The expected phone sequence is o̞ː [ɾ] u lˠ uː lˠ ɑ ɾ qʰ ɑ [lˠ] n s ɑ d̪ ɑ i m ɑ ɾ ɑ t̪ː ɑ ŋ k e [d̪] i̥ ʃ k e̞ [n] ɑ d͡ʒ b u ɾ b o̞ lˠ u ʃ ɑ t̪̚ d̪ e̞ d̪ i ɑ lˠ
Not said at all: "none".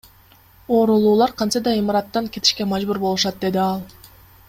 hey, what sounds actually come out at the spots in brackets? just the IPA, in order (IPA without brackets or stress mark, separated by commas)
ɾ, none, t̪, m